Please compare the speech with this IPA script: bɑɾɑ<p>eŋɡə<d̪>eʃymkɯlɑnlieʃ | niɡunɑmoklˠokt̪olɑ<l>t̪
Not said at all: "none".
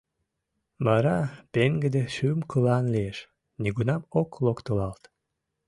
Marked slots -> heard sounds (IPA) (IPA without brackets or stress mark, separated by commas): p, d̪, l